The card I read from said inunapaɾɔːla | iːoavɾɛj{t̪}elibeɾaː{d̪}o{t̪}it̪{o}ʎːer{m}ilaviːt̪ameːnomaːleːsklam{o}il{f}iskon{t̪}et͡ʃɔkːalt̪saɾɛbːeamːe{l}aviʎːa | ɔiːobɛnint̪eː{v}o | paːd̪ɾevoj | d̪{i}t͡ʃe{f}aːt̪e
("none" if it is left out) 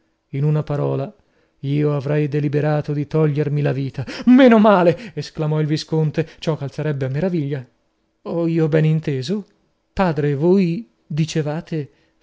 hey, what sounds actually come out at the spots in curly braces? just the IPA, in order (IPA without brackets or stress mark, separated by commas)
d̪, t̪, d̪, ɔ, m, ɔ, v, t̪, ɾ, z, i, v